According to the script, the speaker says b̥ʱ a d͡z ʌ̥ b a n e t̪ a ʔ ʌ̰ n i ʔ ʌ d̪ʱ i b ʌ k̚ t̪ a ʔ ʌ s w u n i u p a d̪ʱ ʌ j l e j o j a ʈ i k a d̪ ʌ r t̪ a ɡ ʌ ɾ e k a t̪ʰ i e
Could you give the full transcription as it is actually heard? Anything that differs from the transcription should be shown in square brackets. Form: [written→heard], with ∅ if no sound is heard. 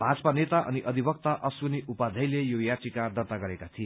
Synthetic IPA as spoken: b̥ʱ a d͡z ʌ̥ [b→p] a n e t̪ a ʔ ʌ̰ n i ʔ ʌ d̪ʱ i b ʌ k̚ t̪ a ʔ ʌ s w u n i u p a d̪ʱ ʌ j l e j o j a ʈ i k a d̪ ʌ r t̪ a ɡ ʌ ɾ e k a t̪ʰ i e